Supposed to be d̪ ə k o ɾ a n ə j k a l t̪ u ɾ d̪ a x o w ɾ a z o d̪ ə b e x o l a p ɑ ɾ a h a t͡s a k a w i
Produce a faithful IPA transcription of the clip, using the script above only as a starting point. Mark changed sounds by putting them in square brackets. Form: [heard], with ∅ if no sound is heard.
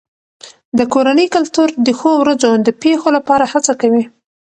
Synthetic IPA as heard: d̪ ə k o ɾ a n ə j k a l t̪ u ɾ d̪ [ə] x o w ɾ a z o d̪ ə [p] e x o l a p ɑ ɾ a h a t͡s a k a w i

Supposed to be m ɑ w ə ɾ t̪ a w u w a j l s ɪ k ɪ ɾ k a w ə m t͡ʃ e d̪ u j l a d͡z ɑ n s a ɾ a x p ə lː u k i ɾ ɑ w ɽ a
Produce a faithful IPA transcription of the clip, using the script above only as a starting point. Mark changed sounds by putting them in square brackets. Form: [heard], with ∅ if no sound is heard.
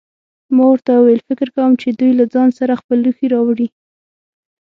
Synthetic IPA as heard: m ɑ w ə ɾ t̪ a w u w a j l [f] ɪ k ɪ ɾ k a w ə m t͡ʃ e d̪ u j l a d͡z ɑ n s a ɾ a x p ə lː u [x] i ɾ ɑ w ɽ [i]

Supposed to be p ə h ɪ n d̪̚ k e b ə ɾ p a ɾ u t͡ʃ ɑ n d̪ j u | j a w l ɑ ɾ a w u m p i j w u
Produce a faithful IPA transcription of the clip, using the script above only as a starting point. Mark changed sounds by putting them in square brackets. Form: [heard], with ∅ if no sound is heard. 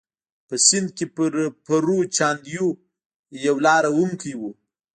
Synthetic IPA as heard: p ə [s] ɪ n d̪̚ k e [p] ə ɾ p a ɾ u t͡ʃ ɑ n d̪ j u | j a w l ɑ ɾ a w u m [k] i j w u

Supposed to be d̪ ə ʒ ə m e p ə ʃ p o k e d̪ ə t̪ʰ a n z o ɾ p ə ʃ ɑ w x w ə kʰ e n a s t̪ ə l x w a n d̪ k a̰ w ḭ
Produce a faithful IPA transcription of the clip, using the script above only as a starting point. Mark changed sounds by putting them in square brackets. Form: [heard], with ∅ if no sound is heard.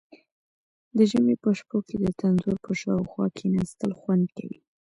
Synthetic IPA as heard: d̪ ə ʒ ə m e p ə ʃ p o k e d̪ ə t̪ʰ a n z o ɾ p ə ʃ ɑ w x w [ɑ] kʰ e n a s t̪ ə l x w a n d̪ k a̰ w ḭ

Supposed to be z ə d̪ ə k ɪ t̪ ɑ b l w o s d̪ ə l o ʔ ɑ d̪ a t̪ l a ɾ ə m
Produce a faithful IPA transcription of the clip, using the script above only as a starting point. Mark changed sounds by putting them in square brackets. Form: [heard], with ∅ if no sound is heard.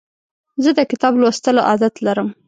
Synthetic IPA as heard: z ə d̪ ə k ɪ t̪ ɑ b l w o s [t̪] ə l o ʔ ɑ d̪ a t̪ l a ɾ ə m

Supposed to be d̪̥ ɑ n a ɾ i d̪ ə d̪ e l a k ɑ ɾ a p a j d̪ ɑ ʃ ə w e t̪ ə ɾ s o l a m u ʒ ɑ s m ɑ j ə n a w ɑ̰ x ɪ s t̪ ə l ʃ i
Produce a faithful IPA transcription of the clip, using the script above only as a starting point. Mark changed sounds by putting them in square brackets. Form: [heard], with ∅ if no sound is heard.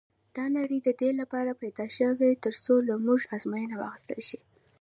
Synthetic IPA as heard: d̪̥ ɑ n a ɾ i d̪ ə d̪ e l a [p] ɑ ɾ a p a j d̪ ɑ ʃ ə w e t̪ ə ɾ s o l a m u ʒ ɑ [z] m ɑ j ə n a w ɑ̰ x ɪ s t̪ ə l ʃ i

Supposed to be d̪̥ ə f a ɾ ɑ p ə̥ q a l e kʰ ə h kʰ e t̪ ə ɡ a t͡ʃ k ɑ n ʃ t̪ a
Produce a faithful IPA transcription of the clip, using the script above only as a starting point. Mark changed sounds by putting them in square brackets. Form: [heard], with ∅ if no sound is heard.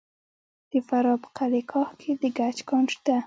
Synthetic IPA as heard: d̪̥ ə f a ɾ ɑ p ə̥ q a l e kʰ [ɑ] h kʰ e [d̪] ə ɡ a t͡ʃ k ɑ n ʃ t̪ a

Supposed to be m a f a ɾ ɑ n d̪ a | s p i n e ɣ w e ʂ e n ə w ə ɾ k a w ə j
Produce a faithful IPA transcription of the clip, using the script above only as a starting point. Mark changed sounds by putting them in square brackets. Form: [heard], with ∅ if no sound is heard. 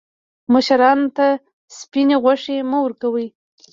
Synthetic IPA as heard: m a [ʃ] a ɾ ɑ n [t̪] a | s p i n e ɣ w [a] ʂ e [m] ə w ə ɾ k a w ə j

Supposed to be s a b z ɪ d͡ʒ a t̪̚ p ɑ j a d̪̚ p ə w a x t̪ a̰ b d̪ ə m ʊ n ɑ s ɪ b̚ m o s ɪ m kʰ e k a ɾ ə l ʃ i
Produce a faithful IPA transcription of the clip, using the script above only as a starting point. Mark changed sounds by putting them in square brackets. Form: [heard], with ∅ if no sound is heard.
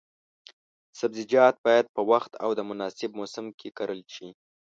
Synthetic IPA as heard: s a b z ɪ d͡ʒ [ɑ] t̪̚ [b] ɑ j a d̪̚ p ə w a x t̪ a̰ [w] d̪ ə m ʊ n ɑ s ɪ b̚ m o s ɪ m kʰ e k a ɾ ə l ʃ i

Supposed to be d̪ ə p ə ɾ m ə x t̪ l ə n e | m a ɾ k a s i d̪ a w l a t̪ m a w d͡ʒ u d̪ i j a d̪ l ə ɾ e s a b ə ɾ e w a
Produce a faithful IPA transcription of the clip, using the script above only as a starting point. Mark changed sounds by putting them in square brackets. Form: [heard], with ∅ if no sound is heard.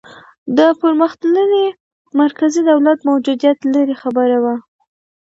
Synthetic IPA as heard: d̪ ə p ə ɾ m ə x t̪ l ə n e | m a ɾ k a [z] i d̪ a w l a t̪ m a w d͡ʒ u d̪ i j a [t̪] l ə ɾ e [x] a b ə ɾ [a] w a

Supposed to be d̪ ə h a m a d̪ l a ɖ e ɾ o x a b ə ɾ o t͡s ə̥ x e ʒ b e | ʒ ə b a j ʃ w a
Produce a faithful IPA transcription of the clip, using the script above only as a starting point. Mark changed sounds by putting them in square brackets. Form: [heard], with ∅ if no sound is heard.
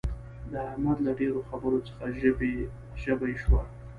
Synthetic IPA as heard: d̪ ə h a m a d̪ l a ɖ e ɾ o x a b ə ɾ o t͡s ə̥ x [a] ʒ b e | ʒ ə b a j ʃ w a

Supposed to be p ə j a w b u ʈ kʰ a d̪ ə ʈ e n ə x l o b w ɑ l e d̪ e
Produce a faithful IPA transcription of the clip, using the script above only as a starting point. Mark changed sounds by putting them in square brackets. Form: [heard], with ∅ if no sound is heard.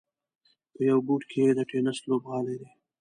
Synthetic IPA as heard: p ə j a w b u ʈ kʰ [e] d̪ ə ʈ e n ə [s] l o b [ɣ] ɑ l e d̪ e

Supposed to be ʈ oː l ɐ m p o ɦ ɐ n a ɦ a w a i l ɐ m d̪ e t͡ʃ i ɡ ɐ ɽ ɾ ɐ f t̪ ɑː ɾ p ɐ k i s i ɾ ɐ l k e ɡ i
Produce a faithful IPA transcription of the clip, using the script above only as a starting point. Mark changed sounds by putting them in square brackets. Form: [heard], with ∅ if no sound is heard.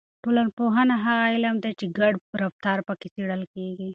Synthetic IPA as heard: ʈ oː l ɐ [n] p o ɦ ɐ n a ɦ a [ɣ] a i l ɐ m d̪ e t͡ʃ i ɡ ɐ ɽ ɾ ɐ f t̪ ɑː ɾ p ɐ k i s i [ɽ] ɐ l k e ɡ i

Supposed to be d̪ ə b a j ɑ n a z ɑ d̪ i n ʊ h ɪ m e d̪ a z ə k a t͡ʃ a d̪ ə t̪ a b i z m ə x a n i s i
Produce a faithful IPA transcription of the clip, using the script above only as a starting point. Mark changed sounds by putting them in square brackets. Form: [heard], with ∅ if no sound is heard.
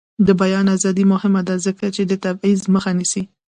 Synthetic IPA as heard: d̪ ə b a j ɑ n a z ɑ d̪ i [m] ʊ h ɪ m [a] d̪ a z ə k a t͡ʃ [e] d̪ ə t̪ a b i z m ə x a n i s i

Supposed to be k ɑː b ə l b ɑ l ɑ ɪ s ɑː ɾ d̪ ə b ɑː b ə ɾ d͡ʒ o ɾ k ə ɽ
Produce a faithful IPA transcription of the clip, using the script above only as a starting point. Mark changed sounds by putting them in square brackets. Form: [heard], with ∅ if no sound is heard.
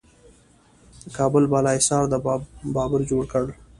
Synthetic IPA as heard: k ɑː b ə l b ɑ l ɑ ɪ s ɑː ɾ d̪ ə b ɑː b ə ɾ d͡ʒ o [ɽ] k ə ɽ

